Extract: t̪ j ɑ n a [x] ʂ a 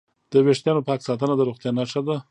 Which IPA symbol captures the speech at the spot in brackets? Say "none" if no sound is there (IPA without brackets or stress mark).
none